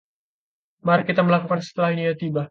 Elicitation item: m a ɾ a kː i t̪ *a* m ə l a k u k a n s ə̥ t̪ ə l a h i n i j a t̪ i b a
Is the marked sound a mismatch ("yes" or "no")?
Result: no